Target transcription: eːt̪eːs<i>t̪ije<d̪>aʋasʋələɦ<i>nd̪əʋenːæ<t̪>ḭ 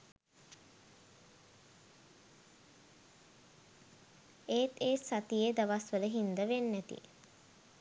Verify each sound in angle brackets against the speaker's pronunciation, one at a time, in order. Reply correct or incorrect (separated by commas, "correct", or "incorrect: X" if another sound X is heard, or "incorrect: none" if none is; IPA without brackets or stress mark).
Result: incorrect: a, correct, correct, correct